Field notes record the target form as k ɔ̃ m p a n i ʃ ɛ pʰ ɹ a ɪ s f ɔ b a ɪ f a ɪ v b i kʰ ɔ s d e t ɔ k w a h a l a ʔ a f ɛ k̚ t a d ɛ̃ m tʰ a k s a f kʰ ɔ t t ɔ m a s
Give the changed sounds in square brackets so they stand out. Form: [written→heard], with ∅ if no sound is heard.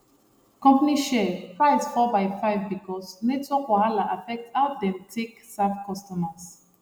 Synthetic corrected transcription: k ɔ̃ m p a n i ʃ ɛ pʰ ɹ a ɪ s f ɔ b a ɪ f a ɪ v b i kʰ ɔ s [d→n] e t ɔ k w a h a l a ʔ a f ɛ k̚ t a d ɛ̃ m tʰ [a→e] k s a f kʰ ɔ [t→s] t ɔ m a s